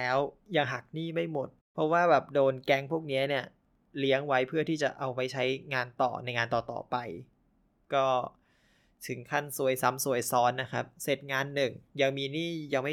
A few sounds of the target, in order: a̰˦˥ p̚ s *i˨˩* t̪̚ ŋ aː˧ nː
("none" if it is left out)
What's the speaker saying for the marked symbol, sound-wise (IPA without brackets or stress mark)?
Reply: e˨˩